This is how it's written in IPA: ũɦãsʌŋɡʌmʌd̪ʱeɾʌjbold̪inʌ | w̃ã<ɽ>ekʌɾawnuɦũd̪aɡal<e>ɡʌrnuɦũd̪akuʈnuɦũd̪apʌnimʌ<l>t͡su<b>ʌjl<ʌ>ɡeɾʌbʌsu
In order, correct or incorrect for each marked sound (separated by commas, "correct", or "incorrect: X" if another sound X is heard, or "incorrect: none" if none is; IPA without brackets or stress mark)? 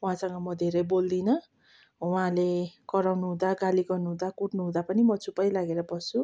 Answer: incorrect: l, incorrect: i, incorrect: none, incorrect: p, incorrect: a